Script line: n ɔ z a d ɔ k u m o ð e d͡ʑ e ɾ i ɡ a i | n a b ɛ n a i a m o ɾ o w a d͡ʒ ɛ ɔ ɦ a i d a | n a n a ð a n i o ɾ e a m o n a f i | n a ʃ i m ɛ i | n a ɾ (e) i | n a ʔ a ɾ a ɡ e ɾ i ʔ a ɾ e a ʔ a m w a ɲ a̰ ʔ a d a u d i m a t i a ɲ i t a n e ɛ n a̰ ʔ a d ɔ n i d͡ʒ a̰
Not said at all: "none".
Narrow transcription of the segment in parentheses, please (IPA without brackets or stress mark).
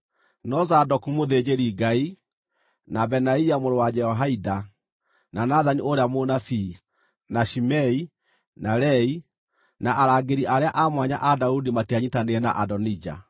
ɛ